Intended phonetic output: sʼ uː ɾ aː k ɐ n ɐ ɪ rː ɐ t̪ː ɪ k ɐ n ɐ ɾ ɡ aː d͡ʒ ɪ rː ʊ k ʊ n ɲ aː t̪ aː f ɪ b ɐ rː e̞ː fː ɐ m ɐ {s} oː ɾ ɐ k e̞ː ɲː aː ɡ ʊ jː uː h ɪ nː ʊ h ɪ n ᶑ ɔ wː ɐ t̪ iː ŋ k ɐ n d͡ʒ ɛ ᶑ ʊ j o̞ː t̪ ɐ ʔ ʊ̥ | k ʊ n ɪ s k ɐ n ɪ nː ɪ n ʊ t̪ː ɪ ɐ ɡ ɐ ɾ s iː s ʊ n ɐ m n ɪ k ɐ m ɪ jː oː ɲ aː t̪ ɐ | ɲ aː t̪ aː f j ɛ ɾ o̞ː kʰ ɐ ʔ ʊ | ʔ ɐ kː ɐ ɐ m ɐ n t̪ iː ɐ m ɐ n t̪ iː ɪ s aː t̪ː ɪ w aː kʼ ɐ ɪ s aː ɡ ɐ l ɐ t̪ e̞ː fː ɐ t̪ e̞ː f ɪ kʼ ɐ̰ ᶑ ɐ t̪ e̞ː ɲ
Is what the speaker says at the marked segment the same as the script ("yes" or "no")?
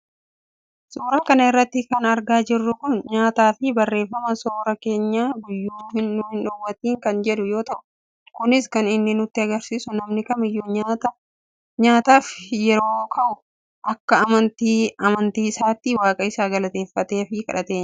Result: yes